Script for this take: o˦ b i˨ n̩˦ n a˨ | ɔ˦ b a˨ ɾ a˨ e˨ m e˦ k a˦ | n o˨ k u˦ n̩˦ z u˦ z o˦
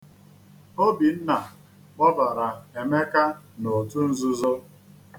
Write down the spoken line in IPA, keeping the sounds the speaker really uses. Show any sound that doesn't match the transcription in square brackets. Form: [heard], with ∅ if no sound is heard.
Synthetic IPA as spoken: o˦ b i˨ n̩˦ n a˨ | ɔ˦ b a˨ ɾ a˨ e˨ m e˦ k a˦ | n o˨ [t] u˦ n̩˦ z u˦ z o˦